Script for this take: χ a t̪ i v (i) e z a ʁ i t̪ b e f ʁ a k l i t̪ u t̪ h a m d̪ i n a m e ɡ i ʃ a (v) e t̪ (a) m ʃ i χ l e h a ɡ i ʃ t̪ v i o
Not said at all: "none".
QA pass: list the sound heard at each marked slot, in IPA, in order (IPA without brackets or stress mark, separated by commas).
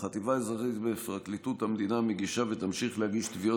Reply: a, v, a